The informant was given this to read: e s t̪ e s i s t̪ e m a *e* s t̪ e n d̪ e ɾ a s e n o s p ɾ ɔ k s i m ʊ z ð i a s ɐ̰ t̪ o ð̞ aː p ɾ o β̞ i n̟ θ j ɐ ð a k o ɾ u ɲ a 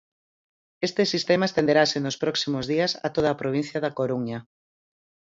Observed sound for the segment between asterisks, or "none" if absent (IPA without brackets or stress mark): e